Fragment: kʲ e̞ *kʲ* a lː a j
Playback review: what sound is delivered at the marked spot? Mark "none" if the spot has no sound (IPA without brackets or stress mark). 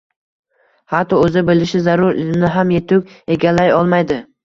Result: ɡʲ